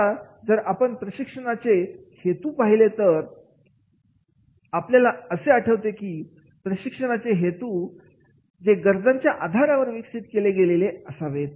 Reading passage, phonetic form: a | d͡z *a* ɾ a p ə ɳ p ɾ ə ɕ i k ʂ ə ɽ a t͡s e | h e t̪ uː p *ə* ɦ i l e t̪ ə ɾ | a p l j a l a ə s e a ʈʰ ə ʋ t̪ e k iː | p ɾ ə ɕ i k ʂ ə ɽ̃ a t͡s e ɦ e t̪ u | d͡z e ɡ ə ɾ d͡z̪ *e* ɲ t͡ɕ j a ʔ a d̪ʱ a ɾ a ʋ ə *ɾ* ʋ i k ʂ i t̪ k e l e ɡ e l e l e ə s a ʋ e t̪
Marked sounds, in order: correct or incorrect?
incorrect: ə, incorrect: a, incorrect: a, correct

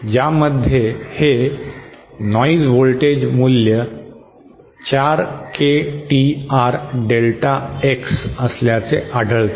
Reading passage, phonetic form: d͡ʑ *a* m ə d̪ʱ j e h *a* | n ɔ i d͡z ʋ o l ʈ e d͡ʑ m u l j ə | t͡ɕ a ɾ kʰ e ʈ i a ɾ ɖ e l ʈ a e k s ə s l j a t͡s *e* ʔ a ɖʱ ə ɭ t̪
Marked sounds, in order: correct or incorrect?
correct, incorrect: e, correct

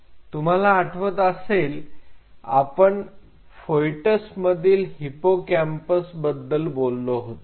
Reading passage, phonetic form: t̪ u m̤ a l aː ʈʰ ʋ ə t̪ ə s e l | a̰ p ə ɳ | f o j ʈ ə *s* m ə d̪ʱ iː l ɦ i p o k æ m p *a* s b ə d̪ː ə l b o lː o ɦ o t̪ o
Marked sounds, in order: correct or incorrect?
correct, incorrect: ə

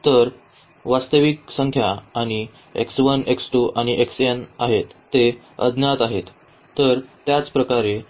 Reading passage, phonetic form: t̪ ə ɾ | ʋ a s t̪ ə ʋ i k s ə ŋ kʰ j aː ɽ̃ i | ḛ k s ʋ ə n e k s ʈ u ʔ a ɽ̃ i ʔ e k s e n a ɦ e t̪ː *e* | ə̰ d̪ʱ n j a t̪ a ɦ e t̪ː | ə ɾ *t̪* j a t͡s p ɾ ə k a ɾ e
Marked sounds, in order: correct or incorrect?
correct, correct

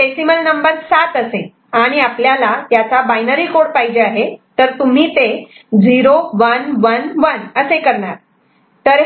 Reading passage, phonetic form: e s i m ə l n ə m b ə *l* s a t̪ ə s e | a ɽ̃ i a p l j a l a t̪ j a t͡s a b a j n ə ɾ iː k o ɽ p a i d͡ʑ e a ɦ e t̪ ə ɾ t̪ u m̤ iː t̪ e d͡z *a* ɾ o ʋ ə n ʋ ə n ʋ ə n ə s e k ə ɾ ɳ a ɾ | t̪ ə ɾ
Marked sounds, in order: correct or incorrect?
incorrect: ɾ, incorrect: i

